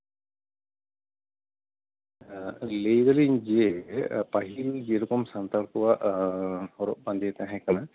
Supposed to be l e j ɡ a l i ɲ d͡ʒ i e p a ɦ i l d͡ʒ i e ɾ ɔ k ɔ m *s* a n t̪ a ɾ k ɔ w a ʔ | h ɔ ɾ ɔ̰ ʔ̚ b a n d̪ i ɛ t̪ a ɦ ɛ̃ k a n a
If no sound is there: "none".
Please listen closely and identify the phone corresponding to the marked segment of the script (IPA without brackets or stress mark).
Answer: s